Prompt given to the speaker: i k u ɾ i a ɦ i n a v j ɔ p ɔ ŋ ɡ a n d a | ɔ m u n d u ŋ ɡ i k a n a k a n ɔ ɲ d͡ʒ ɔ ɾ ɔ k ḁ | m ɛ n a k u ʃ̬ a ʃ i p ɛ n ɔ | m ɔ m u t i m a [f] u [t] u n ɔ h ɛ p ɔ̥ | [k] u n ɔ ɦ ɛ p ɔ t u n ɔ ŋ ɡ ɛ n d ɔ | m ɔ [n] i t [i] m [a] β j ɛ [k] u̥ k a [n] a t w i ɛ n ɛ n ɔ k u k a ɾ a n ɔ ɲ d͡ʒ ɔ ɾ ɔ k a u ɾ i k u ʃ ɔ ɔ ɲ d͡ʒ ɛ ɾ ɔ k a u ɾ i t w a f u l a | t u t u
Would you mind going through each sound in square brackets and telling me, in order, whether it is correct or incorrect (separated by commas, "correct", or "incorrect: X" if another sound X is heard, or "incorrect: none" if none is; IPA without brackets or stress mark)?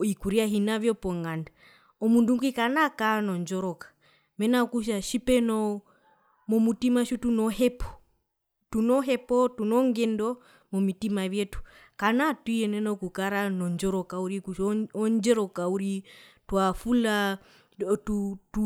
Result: incorrect: ʃ, correct, incorrect: t, incorrect: m, correct, correct, incorrect: t, correct